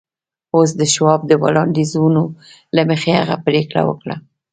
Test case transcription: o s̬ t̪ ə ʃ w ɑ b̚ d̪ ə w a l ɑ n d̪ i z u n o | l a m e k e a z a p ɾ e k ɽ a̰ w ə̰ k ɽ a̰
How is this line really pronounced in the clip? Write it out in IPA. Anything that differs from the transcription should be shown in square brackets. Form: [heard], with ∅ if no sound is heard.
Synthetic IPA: o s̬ [d̪] ə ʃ w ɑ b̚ d̪ ə w a l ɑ n d̪ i z u n o | l a m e [x] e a [ɣ] a p ɾ e k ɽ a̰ w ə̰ k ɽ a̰